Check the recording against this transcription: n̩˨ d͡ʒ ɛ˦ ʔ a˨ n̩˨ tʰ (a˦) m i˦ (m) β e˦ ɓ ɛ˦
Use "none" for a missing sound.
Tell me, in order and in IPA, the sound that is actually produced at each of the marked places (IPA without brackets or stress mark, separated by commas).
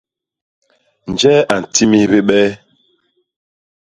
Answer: i˦, none